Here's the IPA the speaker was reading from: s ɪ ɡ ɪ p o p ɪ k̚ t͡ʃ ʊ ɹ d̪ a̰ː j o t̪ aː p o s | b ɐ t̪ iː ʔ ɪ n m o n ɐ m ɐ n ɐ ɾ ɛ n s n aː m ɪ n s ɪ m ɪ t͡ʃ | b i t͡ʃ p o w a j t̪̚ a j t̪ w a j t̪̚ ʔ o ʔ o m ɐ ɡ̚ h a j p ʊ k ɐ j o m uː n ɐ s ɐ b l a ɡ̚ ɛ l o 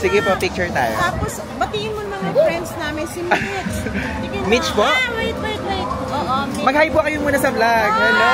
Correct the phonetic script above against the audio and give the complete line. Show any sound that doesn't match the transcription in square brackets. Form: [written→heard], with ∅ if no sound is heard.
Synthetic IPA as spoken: s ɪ ɡ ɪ p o p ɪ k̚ t͡ʃ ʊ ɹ [d̪→t̪] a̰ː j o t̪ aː p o s | b ɐ t̪ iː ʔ ɪ n m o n ɐ m ɐ [n→ŋ] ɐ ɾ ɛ n s n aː m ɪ n s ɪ m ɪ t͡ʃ | [b→m] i t͡ʃ p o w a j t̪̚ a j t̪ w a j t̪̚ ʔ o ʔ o m ɐ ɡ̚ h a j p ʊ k ɐ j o m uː n ɐ s ɐ b l a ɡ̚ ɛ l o